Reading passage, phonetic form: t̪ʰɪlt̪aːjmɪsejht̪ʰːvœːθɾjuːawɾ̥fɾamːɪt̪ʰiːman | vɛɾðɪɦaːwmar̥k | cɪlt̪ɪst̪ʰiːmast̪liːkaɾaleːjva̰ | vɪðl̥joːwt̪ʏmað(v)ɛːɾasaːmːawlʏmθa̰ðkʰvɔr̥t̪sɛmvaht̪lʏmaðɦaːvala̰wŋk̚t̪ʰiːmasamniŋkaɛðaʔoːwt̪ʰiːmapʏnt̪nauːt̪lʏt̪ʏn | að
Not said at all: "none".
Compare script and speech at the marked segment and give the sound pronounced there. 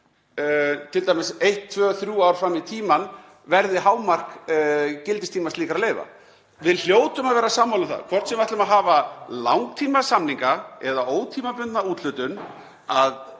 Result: v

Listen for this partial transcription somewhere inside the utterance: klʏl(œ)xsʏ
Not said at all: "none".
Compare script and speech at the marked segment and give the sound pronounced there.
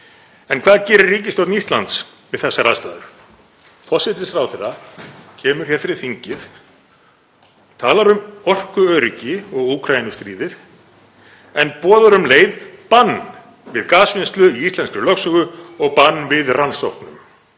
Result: œ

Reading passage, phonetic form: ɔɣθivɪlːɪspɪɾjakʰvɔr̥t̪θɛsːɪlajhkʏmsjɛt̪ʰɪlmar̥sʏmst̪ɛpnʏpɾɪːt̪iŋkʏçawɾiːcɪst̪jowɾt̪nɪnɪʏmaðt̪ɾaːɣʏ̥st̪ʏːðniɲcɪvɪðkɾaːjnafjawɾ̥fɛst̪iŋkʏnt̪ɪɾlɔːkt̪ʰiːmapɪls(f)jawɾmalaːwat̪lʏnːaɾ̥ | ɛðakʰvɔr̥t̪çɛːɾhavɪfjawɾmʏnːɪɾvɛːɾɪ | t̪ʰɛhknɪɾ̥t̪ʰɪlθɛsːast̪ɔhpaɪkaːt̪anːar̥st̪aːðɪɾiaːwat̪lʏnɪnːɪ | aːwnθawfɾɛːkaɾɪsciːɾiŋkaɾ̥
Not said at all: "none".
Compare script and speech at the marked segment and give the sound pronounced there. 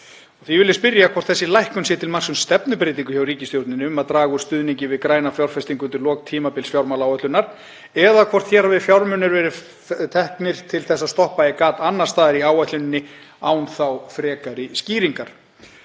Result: f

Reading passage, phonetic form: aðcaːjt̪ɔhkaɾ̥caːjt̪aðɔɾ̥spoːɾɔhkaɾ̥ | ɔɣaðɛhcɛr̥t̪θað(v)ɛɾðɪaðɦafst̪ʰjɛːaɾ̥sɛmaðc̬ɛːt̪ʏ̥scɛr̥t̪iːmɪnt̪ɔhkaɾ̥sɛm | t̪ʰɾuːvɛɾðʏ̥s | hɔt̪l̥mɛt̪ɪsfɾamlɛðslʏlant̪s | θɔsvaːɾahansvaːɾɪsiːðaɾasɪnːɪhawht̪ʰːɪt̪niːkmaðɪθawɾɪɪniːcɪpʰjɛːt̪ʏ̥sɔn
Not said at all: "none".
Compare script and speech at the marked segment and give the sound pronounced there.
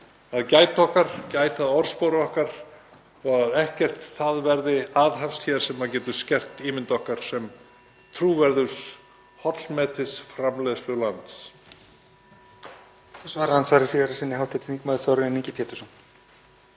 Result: v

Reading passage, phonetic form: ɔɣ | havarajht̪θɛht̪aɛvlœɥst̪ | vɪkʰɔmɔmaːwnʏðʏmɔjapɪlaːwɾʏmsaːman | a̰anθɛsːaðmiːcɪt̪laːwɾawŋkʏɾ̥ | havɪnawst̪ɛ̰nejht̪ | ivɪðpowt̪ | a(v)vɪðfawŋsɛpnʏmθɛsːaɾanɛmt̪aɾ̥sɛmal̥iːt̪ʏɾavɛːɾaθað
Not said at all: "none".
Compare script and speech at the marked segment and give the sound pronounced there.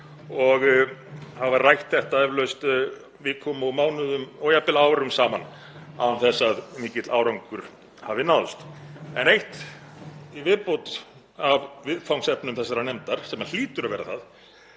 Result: v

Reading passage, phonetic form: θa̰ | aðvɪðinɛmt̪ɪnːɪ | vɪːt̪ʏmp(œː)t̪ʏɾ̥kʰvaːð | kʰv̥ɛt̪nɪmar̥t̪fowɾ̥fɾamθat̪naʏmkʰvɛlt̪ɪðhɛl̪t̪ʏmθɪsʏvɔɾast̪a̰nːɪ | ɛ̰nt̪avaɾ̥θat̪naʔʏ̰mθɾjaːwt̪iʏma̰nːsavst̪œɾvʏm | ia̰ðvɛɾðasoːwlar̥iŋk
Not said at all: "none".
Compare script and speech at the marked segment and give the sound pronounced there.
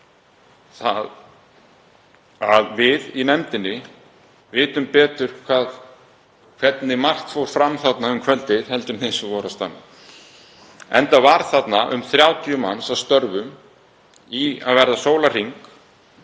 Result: ɛː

